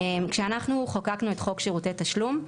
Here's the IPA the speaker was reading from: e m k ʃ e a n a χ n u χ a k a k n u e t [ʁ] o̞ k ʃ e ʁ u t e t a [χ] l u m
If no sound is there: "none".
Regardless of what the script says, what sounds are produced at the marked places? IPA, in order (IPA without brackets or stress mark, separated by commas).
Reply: χ, ʃ